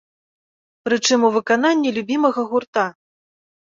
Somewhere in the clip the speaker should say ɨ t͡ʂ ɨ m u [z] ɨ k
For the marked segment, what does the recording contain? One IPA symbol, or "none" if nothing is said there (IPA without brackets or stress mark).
v